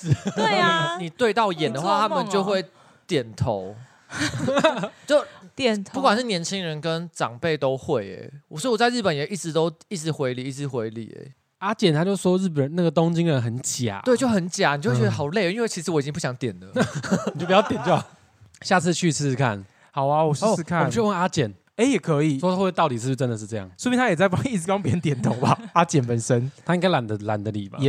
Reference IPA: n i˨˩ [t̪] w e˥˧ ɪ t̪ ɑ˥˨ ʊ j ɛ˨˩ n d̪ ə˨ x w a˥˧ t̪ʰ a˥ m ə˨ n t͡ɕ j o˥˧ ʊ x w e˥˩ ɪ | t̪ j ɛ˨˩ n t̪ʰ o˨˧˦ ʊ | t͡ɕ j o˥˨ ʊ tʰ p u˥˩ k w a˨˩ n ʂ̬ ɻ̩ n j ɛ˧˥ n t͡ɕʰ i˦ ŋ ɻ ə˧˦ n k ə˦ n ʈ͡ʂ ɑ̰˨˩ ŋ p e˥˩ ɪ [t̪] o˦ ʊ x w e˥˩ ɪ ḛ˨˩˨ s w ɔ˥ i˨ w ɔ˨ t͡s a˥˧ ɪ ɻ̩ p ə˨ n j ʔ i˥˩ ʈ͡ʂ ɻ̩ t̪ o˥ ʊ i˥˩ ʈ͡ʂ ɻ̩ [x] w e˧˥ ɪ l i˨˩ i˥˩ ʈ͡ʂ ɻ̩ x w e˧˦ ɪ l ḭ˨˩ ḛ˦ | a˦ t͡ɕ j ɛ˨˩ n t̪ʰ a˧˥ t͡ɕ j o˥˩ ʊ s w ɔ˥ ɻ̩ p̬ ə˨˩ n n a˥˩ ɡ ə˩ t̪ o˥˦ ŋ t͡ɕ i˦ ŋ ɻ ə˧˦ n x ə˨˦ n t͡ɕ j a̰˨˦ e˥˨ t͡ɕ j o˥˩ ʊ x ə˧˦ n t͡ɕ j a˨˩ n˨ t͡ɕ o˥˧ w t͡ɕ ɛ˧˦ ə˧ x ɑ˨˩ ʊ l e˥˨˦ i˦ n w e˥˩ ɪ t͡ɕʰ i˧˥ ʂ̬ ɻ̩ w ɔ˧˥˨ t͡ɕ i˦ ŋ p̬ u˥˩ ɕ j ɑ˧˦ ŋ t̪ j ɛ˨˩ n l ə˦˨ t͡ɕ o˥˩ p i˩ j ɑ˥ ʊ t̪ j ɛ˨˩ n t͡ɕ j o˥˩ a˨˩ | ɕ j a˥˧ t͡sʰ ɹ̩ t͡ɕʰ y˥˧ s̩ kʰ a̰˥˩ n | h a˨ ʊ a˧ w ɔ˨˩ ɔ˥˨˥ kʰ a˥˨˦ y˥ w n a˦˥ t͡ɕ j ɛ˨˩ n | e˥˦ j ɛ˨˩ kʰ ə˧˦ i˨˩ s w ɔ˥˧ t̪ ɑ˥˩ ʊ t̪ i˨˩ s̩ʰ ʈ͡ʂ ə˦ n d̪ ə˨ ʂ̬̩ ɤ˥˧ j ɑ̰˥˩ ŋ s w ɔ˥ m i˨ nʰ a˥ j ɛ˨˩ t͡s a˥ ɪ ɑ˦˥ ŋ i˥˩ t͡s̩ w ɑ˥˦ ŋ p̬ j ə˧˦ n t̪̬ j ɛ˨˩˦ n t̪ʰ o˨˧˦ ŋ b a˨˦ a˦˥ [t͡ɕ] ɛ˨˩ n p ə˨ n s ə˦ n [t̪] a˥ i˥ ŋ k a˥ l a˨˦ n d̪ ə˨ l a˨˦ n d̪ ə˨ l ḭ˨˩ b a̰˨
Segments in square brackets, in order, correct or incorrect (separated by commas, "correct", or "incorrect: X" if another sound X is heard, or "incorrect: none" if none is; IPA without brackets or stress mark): correct, correct, correct, correct, incorrect: t̪ʰ